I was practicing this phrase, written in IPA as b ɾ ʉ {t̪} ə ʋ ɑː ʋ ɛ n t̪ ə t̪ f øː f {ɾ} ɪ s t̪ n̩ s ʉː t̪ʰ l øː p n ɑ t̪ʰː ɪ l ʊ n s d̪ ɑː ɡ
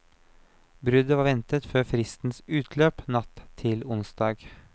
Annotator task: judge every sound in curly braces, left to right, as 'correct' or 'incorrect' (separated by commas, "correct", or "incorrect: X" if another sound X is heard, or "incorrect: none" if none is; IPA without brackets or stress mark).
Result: incorrect: d̪, correct